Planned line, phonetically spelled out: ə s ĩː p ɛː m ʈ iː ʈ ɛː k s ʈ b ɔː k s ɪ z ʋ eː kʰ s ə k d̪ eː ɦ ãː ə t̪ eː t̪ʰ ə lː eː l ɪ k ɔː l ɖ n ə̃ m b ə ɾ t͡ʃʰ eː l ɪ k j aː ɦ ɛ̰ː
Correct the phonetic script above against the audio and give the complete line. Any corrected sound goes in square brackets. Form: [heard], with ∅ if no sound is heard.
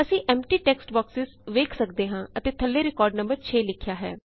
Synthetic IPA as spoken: ə s ĩː [ʔ] ɛː m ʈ iː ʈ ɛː k s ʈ b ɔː k s ɪ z ʋ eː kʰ s ə k d̪ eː ɦ ãː ə t̪ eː t̪ʰ ə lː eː [ɾ] ɪ k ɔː [ɾ] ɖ n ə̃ m b ə ɾ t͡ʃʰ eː l ɪ [kʰ] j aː ɦ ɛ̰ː